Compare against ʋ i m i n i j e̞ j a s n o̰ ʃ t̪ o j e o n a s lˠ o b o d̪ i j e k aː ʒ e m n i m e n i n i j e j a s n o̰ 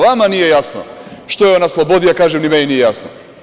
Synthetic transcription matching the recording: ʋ a m a n i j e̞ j a s n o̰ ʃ t̪ o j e o n a s lˠ o b o d̪ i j a k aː ʒ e m n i m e n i n i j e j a s n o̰